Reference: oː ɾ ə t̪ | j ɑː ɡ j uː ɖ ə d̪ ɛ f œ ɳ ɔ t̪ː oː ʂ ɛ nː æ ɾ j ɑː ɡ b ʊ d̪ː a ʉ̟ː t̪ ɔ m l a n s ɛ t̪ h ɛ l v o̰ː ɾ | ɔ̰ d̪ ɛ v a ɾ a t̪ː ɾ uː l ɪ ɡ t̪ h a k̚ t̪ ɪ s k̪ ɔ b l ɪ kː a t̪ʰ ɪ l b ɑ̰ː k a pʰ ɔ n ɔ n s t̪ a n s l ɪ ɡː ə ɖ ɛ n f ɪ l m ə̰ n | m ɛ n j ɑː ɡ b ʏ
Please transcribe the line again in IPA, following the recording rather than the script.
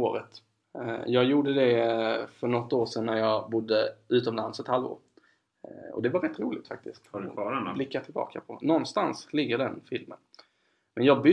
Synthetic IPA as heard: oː ɾ ə t̪ | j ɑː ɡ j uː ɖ ə d̪ ɛ f œ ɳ ɔ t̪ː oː ʂ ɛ nː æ ɾ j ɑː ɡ b ʊ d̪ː ə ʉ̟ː t̪ ɔ m l a n s ɛ t̪ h a l v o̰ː ɾ | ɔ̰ d̪ ɛ v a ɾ ɛ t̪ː ɾ uː l ɪ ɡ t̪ f a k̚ t̪ ɪ s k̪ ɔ b l ɪ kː a t̪ʰ ɪ l b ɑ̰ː k a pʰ ɔ n ɔ n s t̪ a n s l ɪ ɡː ə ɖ ɛ n f ɪ l m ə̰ n | m ɛ n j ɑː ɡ b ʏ